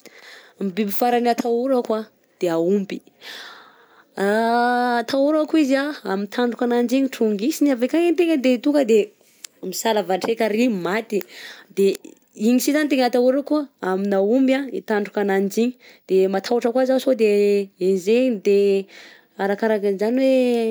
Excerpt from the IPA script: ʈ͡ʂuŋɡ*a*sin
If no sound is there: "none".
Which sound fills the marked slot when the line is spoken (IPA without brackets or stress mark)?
i